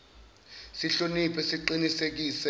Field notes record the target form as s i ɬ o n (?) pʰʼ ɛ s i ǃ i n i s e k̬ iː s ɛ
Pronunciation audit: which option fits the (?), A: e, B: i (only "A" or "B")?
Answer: B